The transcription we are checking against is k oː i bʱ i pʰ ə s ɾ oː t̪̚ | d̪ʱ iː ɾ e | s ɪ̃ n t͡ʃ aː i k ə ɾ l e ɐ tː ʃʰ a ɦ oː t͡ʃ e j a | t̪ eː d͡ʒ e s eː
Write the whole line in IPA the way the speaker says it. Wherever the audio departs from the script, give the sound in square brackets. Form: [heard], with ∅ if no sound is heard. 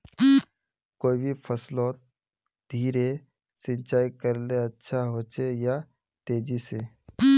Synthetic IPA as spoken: k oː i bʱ i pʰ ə s [l] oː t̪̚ | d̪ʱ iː ɾ e | s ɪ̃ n t͡ʃ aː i k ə ɾ l e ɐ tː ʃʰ a ɦ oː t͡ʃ e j a | t̪ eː d͡ʒ [i] s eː